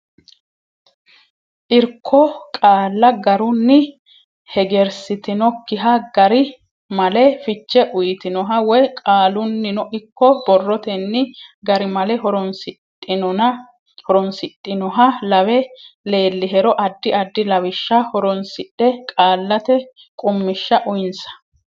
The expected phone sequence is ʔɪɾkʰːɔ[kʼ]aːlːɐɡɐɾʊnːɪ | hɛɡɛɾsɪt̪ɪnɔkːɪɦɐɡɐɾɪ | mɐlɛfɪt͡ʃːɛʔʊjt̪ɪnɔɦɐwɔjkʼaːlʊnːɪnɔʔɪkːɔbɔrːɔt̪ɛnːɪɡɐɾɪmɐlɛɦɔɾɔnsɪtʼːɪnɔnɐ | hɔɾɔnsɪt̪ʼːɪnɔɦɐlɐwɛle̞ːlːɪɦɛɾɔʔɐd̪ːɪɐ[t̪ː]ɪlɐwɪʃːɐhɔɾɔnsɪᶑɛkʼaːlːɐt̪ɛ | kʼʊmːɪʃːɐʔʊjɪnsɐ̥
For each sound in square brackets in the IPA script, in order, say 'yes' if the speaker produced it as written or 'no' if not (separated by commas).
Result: yes, no